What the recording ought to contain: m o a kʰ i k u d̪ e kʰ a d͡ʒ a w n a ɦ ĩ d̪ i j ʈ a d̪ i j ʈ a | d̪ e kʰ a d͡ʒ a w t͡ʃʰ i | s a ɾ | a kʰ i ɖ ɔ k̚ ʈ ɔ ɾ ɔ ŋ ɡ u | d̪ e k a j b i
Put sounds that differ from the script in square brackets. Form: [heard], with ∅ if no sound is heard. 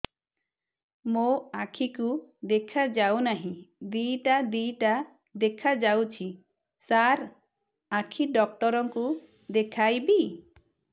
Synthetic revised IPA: m o a kʰ i k u d̪ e kʰ a d͡ʒ a w n a ɦ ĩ d̪ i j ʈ a d̪ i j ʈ a | d̪ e kʰ a d͡ʒ a w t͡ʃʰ i | s a ɾ | a kʰ i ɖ ɔ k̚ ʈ ɔ ɾ ɔ ŋ [k] u | d̪ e [kʰ] a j b i